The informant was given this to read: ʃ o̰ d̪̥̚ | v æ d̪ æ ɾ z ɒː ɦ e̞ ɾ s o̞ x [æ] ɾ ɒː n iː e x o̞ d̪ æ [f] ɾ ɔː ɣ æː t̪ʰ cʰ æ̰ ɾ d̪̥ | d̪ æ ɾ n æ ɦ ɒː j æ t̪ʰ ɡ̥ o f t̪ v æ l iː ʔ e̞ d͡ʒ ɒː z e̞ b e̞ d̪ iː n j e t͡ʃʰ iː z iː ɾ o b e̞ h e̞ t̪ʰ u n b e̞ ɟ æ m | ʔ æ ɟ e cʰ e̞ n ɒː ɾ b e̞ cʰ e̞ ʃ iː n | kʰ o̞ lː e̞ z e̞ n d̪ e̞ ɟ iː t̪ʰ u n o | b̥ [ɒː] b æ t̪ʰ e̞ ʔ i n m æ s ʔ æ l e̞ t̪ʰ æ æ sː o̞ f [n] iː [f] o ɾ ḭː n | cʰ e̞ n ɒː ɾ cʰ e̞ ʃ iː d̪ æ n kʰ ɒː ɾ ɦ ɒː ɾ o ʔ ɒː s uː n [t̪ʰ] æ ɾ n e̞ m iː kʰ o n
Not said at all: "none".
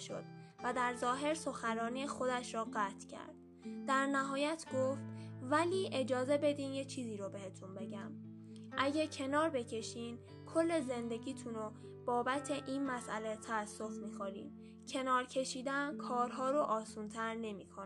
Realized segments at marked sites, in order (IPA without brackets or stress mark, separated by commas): æ, ʃ, ɒː, m, x, t̪ʰ